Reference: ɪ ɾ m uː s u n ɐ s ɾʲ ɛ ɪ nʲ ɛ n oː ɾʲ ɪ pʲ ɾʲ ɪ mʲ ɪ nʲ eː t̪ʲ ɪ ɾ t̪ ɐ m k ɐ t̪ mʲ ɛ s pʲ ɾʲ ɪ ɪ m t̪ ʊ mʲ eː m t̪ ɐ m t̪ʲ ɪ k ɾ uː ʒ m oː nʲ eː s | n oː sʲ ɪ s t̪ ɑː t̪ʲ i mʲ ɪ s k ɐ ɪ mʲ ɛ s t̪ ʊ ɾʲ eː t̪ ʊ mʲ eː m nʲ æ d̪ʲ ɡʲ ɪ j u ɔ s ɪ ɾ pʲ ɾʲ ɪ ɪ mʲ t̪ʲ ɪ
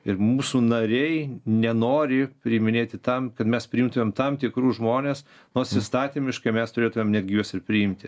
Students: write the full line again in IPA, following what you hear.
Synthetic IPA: ɪ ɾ m uː s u n ɐ ɾʲ ɛ ɪ nʲ ɛ n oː ɾʲ ɪ pʲ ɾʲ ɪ mʲ ɪ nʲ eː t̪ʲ ɪ t̪ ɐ m k ɐ t̪ mʲ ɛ s pʲ ɾʲ ɪ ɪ m t̪ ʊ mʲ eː m t̪ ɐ m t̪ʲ ɪ k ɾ uː ʒ m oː nʲ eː s | n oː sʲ ɪ s t̪ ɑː t̪ʲ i mʲ ɪ ʃ k ɐ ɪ mʲ ɛ s t̪ ʊ ɾʲ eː t̪ ʊ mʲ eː m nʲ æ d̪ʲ ɡʲ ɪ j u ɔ s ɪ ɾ pʲ ɾʲ ɪ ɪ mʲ t̪ʲ ɪ